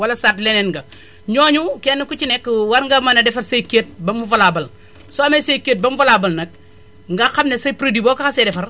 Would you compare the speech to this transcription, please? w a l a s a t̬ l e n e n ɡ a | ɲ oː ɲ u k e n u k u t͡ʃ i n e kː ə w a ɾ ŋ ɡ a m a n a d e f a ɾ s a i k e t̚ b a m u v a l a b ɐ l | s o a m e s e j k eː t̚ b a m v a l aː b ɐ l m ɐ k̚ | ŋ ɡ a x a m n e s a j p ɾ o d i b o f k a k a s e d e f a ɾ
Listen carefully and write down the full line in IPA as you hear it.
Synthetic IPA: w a l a s a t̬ l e n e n ɡ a | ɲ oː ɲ u k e n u k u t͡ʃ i n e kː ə w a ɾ ŋ ɡ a m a n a d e f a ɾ s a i k e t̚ b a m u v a l a b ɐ l | s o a m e s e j k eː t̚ b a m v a l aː b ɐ l n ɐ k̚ | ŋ ɡ a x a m n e s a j p ɾ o d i b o k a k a s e d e f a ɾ